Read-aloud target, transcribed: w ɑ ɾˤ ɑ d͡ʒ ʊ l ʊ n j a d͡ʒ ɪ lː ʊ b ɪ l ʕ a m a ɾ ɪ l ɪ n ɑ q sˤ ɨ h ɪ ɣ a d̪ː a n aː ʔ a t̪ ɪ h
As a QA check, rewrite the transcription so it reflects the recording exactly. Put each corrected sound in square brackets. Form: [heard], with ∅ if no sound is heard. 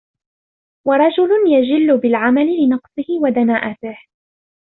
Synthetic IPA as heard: w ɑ ɾˤ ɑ d͡ʒ ʊ l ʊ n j a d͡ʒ ɪ lː ʊ b ɪ l ʕ a m a [l] ɪ l ɪ n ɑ q sˤ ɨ h ɪ [w] a [d̪] a n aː ʔ a t̪ ɪ h